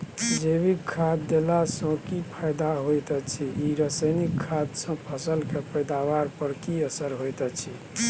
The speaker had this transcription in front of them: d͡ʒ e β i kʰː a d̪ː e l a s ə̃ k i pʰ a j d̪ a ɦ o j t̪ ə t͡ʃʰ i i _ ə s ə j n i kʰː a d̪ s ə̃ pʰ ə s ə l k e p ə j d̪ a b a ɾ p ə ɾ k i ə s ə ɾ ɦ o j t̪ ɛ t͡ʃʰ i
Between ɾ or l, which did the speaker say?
ɾ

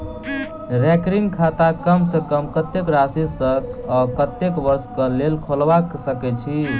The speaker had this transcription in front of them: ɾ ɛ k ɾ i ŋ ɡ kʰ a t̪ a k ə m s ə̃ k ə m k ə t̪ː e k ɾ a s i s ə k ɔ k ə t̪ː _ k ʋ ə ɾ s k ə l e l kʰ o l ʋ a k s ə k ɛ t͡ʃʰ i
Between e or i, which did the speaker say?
e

